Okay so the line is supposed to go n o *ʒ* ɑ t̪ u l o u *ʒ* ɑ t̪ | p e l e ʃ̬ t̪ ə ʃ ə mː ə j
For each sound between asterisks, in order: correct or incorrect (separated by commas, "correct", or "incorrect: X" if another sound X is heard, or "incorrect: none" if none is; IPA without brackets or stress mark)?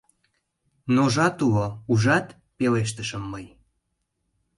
correct, correct